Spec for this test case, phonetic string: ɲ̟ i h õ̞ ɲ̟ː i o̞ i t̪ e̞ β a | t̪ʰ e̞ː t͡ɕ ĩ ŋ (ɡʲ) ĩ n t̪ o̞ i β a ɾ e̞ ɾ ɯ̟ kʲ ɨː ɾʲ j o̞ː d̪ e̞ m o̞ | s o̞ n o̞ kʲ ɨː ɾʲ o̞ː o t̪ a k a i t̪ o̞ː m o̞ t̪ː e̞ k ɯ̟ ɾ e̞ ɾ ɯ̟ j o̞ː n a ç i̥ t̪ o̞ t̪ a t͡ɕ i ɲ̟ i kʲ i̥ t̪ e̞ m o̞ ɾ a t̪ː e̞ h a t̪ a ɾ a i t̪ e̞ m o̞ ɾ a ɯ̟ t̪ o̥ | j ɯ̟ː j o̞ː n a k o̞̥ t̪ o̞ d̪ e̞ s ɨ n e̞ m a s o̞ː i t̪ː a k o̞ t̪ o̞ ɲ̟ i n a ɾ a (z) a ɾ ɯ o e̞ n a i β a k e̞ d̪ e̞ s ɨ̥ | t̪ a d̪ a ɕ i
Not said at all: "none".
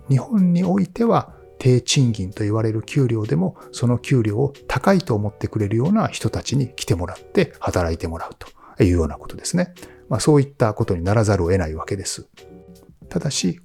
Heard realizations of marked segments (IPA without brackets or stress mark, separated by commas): ɡʲ, z